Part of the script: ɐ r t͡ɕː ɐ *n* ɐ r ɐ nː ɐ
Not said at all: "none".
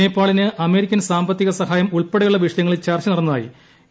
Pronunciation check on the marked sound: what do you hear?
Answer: n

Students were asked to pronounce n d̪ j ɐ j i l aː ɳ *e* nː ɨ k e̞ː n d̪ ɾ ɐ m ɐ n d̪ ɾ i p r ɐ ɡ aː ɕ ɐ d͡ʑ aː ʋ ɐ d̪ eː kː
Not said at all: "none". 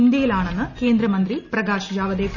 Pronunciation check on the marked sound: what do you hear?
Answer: e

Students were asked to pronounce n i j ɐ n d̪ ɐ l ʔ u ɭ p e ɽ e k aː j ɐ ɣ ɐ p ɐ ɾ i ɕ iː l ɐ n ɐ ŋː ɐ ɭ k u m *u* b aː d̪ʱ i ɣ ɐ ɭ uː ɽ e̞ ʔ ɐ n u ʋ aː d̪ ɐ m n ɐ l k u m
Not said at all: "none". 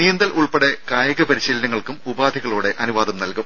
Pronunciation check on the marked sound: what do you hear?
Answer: u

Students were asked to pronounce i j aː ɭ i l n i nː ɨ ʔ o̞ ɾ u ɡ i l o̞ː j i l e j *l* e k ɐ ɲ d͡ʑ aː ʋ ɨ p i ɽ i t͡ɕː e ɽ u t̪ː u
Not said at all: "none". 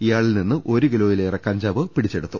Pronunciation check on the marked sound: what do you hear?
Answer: r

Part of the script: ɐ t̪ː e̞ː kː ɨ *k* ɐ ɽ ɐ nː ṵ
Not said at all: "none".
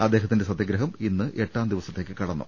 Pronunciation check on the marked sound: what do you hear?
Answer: k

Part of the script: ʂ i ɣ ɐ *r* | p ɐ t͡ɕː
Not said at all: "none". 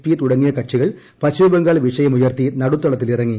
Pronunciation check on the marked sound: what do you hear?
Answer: ɭ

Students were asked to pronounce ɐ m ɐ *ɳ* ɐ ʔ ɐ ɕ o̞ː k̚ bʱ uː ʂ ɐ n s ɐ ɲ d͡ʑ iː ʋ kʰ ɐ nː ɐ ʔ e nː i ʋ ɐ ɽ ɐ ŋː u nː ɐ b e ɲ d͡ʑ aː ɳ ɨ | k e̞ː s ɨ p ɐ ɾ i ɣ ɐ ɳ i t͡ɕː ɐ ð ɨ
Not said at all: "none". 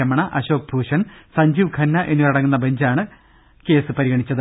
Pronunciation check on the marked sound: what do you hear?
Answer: ɳ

